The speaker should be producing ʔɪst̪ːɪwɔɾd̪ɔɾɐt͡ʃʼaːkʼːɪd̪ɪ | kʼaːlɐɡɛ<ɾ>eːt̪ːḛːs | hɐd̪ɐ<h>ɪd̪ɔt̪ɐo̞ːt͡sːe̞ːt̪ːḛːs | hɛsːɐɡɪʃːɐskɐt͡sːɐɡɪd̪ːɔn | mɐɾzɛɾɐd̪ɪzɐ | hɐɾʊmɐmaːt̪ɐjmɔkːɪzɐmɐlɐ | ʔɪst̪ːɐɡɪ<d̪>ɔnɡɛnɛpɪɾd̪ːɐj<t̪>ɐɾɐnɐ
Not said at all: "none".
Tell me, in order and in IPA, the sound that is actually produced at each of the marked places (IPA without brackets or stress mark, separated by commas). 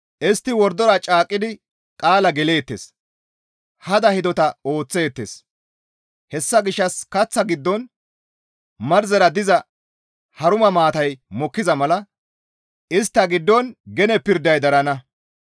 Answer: l, h, d̪ː, d̪